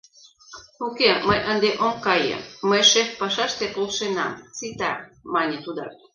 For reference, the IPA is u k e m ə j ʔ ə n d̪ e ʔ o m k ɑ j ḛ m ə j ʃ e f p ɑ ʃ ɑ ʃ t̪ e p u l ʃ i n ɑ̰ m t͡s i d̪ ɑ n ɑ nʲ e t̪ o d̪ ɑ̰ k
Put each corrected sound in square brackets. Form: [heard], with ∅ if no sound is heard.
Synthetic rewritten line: u k e m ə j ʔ ə n d̪ e ʔ o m k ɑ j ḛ m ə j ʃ e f p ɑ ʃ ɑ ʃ t̪ e p [o] l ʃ [e] n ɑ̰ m t͡s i [t̪] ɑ [m] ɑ nʲ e t̪ [u] d̪ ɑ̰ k